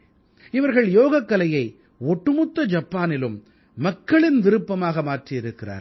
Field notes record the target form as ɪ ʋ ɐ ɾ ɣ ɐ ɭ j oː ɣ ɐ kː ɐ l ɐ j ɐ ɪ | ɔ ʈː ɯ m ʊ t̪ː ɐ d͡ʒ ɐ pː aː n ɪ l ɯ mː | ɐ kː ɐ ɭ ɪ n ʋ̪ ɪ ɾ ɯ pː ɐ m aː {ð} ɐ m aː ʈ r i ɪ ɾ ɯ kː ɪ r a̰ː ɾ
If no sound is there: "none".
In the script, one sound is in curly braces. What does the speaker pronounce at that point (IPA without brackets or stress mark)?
ɣ